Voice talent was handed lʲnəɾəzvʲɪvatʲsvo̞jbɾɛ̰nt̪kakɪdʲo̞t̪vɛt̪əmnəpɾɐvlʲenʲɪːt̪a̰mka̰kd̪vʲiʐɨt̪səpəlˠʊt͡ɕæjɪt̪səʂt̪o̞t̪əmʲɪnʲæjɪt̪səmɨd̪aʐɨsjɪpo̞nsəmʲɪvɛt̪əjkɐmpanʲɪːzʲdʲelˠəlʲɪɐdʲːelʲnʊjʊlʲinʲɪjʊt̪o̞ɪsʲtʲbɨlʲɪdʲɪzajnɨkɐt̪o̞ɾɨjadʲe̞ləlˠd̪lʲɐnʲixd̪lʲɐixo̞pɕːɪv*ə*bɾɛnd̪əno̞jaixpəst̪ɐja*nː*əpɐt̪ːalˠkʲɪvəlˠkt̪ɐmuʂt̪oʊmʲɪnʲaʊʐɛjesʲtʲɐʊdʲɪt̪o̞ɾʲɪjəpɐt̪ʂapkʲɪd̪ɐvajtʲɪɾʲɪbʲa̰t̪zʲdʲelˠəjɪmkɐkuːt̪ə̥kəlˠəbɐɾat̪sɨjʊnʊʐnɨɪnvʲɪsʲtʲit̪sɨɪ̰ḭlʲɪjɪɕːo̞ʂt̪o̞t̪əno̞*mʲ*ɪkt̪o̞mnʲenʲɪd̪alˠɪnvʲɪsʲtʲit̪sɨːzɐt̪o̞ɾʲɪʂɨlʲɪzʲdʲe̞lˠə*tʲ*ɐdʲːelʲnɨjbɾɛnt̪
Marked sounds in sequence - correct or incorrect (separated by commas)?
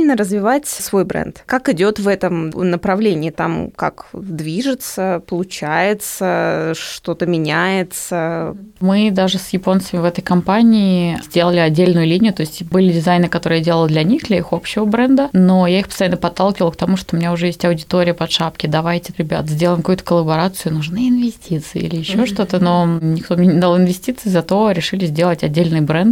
correct, correct, incorrect, correct